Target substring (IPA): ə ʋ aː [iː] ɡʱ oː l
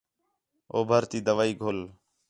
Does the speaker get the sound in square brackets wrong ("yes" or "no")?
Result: no